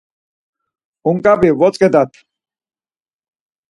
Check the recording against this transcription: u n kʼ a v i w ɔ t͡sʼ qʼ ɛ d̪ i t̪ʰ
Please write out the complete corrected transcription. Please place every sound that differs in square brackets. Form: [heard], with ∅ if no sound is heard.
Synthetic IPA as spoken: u [ŋ] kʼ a [b] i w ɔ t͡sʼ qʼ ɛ d̪ [a] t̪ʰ